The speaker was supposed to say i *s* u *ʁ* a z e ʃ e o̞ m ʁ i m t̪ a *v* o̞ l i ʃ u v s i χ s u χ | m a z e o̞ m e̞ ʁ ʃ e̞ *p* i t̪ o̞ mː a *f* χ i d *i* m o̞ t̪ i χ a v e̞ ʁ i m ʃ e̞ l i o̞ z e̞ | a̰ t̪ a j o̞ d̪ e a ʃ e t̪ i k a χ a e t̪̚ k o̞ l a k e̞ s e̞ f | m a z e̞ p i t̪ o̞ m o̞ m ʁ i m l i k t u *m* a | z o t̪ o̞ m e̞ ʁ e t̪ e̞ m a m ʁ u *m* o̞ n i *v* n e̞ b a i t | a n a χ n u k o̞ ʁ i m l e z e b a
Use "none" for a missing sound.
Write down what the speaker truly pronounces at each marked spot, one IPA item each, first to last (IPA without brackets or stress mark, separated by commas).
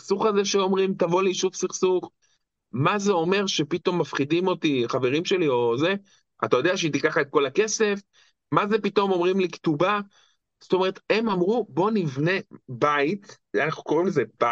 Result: s, χ, v, p, f, i, b, b, v